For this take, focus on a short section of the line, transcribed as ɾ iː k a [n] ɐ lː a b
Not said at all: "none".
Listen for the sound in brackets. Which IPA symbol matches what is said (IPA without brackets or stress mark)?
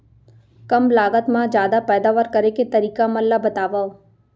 m